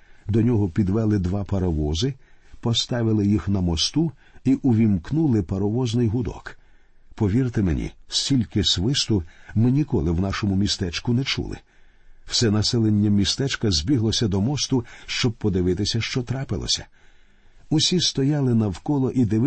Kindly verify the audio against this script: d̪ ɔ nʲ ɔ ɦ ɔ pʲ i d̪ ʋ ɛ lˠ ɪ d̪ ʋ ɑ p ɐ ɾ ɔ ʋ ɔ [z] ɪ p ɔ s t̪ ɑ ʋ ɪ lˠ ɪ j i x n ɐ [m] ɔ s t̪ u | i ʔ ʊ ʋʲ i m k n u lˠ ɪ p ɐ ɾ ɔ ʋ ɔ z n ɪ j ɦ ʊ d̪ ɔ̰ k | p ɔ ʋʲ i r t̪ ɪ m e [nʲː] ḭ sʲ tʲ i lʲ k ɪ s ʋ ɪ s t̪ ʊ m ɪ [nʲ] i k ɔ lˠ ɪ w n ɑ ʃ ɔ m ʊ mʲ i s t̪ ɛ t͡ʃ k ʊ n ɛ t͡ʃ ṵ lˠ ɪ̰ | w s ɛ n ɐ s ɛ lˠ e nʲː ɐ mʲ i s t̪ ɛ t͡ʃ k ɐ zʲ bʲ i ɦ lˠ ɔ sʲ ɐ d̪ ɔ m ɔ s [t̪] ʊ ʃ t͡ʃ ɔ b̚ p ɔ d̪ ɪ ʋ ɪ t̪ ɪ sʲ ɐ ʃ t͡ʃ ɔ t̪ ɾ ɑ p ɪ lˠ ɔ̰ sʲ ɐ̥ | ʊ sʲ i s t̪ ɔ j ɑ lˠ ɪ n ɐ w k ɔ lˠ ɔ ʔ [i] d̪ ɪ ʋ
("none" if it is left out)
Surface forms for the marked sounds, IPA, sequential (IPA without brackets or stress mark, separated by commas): z, m, nʲ, nʲ, t̪, i